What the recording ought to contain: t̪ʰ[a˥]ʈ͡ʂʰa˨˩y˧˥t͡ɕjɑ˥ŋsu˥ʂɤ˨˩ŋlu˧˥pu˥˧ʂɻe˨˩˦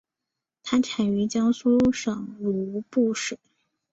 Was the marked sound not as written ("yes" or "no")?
no